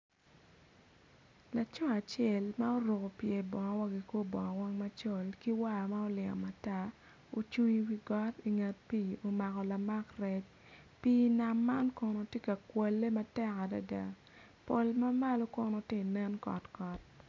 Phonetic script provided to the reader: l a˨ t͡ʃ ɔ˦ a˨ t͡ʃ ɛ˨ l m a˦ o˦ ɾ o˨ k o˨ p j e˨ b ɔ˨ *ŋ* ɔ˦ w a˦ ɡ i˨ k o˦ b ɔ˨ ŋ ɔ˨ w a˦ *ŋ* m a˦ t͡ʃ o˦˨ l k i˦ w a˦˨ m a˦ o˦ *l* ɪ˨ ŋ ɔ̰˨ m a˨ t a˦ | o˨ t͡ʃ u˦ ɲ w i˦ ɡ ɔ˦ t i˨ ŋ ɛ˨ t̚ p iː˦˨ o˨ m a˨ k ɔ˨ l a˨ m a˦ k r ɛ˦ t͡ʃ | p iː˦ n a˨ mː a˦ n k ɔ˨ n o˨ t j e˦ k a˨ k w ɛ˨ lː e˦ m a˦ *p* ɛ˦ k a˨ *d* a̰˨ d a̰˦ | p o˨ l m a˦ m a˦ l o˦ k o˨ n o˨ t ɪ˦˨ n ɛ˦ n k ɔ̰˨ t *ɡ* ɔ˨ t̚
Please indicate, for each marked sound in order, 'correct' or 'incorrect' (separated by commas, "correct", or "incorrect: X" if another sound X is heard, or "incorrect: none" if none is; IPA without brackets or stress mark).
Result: correct, correct, correct, incorrect: t, correct, incorrect: k